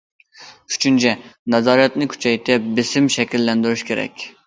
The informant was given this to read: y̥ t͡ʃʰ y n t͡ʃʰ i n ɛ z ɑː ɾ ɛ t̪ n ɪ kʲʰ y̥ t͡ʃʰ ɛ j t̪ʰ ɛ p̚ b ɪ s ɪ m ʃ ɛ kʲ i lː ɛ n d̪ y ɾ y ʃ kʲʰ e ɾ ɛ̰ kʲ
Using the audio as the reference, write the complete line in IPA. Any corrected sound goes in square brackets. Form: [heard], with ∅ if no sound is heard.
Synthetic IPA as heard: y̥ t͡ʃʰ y n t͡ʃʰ [ɛ] n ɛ z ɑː ɾ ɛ t̪ n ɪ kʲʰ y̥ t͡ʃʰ ɛ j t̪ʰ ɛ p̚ b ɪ s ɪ m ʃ ɛ kʲ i lː ɛ n d̪ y ɾ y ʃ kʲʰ e ɾ ɛ̰ kʲ